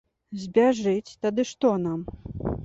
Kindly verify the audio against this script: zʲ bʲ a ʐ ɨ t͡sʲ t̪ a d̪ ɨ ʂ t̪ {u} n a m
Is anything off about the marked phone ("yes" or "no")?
yes